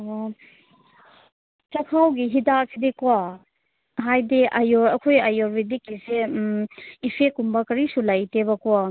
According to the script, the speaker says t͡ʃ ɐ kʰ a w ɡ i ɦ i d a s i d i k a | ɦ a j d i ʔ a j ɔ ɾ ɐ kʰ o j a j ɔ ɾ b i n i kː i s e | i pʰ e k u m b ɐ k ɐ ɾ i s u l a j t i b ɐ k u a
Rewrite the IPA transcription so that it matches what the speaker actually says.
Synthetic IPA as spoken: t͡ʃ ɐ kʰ a w ɡ i ɦ i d a s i d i k a | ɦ a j d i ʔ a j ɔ ɾ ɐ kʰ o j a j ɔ ɾ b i d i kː i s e | i pʰ e k u m b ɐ k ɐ ɾ i s u l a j t e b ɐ k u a